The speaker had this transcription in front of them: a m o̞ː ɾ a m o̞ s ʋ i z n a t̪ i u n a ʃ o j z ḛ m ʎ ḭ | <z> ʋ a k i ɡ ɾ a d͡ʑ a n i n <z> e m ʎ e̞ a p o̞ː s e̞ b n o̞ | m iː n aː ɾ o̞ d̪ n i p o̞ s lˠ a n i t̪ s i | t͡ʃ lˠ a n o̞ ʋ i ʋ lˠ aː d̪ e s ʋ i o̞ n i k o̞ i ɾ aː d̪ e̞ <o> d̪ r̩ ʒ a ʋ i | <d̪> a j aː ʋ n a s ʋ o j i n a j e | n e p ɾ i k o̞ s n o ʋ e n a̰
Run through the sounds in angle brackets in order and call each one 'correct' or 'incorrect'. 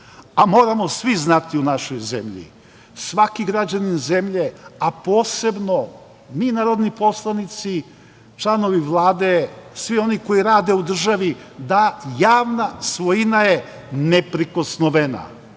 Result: incorrect: s, correct, incorrect: u, correct

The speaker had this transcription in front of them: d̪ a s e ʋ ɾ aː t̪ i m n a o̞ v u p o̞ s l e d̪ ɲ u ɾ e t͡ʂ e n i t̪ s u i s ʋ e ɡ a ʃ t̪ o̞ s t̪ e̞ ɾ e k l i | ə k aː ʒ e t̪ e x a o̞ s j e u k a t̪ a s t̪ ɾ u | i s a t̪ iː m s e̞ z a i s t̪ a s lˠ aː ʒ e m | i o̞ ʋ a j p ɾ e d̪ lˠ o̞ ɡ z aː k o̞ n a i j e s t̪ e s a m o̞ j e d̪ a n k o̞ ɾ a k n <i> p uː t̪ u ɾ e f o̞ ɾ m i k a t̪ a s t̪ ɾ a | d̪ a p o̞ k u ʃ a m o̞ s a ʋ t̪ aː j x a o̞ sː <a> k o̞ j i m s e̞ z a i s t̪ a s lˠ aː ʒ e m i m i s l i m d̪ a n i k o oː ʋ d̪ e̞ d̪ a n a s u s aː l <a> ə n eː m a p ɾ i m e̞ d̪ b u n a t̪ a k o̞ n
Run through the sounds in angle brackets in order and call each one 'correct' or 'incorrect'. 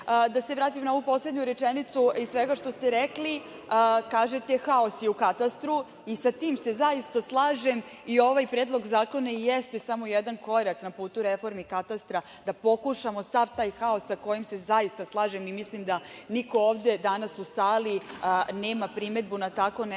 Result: incorrect: a, correct, incorrect: i

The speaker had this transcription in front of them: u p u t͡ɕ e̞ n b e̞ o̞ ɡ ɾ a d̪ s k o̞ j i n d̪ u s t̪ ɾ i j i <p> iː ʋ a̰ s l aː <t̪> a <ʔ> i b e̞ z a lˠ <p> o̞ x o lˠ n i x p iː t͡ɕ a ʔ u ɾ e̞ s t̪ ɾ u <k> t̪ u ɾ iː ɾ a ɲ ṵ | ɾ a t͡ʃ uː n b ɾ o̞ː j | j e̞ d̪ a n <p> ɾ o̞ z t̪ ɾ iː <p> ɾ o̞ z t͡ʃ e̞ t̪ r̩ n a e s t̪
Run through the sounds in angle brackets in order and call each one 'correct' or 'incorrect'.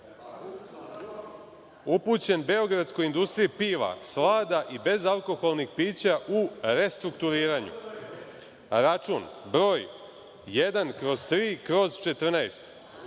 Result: correct, incorrect: d̪, correct, incorrect: k, correct, incorrect: k, incorrect: k

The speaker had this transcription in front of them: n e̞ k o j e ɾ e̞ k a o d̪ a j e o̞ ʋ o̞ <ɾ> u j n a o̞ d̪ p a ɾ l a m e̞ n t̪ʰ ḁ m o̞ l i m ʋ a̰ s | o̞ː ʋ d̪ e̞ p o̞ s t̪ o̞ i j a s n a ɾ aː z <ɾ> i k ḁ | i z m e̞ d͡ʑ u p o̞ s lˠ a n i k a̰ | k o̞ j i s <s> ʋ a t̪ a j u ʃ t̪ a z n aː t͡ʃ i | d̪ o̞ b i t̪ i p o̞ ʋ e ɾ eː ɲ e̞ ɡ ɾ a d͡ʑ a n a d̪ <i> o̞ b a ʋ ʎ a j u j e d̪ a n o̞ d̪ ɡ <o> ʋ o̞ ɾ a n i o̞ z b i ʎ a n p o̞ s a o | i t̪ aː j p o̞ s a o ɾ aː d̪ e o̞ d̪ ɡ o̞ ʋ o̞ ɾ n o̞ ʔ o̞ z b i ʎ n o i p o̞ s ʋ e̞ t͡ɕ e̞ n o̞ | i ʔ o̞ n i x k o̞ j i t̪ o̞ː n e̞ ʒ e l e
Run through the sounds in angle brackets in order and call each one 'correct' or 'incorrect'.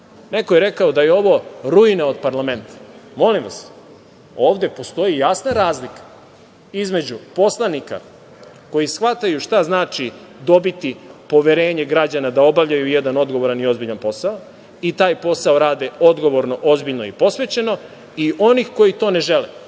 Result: correct, incorrect: l, incorrect: x, incorrect: a, correct

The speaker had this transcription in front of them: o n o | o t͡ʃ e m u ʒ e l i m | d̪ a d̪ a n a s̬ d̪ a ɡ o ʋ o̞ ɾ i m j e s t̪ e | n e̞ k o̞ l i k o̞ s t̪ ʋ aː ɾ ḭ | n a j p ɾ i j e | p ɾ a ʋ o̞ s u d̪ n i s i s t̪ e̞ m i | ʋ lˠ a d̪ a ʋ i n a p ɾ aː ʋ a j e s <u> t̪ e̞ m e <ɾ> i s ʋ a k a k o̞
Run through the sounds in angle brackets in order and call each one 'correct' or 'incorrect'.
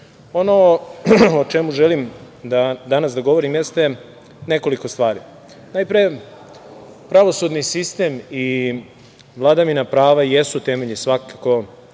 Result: correct, incorrect: ʎ

